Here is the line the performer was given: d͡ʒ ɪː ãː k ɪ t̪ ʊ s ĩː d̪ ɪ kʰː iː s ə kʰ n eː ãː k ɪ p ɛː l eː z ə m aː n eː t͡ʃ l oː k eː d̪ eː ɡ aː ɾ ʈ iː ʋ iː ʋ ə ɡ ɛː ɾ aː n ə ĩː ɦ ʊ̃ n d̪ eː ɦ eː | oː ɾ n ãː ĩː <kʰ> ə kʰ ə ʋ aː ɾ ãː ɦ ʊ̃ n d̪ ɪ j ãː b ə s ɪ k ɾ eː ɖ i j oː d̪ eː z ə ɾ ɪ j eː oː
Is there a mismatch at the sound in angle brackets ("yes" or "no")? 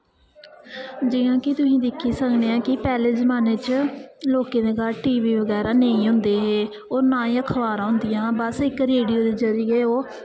yes